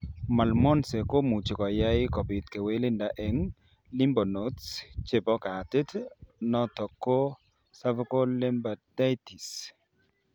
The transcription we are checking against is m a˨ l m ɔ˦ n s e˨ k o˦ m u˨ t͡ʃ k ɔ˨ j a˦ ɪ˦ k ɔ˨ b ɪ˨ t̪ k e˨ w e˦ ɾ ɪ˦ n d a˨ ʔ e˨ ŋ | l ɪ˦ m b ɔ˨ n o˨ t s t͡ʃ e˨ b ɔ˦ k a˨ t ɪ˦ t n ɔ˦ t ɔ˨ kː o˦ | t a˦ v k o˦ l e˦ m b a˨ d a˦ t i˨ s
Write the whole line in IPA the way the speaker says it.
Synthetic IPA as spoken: m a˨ l m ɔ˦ n s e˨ k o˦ m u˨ t͡ʃ k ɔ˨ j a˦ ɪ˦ k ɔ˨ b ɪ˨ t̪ k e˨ w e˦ l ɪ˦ n d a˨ ʔ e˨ ŋ | l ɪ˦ m b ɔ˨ n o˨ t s t͡ʃ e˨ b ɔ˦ k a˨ t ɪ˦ t n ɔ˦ t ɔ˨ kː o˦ | s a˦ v k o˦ l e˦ m b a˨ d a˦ t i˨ s